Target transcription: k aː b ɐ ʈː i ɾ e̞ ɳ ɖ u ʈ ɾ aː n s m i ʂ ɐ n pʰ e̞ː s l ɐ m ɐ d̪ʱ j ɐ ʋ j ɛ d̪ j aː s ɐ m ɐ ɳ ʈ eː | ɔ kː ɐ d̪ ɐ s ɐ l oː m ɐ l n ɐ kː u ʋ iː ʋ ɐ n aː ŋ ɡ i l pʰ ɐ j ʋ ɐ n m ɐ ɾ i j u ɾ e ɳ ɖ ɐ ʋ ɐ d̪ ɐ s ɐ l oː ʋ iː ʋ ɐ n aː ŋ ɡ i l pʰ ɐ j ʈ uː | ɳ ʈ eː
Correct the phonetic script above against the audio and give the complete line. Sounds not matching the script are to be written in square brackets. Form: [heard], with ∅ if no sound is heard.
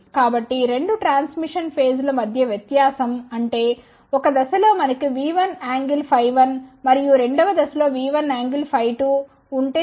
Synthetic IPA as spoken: k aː b ɐ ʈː i ɾ e̞ ɳ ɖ u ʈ ɾ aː n s m i ʂ ɐ n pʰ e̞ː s l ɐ m ɐ d̪ʱ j ɐ ʋ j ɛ [t̪] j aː s ɐ m ɐ ɳ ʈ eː | ɔ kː ɐ d̪ ɐ s ɐ l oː m ɐ [∅] n ɐ kː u ʋ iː ʋ ɐ n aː ŋ ɡ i l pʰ ɐ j ʋ ɐ n m ɐ ɾ i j u ɾ e ɳ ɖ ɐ ʋ ɐ d̪ ɐ s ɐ l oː ʋ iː ʋ ɐ n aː ŋ ɡ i l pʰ ɐ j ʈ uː | ɳ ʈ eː